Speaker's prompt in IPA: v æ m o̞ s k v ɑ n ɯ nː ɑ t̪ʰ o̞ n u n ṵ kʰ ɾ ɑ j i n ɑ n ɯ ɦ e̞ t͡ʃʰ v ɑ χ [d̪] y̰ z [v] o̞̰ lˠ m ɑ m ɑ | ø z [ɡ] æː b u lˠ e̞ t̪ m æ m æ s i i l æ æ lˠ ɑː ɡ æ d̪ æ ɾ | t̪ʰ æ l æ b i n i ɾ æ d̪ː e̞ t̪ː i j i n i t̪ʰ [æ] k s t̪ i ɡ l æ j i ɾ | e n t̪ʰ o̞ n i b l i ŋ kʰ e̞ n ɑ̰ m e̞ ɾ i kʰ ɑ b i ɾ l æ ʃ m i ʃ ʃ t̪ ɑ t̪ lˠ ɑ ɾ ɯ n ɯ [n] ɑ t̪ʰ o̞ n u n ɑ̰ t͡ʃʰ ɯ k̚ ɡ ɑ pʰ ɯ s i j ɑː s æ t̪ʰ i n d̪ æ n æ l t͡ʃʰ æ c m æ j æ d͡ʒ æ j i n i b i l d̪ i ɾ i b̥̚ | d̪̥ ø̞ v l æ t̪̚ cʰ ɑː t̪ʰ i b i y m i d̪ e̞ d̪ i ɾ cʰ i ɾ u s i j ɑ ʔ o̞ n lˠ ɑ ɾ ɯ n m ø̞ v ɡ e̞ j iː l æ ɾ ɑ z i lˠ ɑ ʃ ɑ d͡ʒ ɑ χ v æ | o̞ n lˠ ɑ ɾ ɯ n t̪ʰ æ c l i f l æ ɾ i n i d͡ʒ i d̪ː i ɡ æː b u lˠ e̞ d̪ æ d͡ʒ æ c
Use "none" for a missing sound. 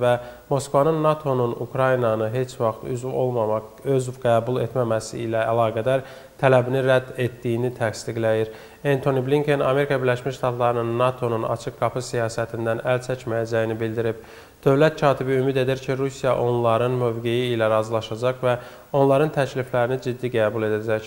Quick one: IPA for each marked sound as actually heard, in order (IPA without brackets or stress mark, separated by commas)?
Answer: t̪, v, ɡ, æ, nː